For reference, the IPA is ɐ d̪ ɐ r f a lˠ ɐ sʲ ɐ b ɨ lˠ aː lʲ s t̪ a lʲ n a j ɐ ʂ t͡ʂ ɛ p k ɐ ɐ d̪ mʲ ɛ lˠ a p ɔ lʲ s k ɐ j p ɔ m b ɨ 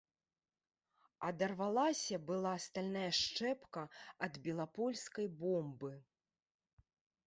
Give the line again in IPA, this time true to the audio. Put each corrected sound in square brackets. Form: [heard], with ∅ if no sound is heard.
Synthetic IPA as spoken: ɐ d̪ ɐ r [v] a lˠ [a] sʲ ɐ b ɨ lˠ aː [∅] s t̪ a lʲ n a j ɐ ʂ t͡ʂ ɛ p k ɐ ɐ d̪ [bʲ] ɛ lˠ a p ɔ lʲ s k ɐ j [b] ɔ m b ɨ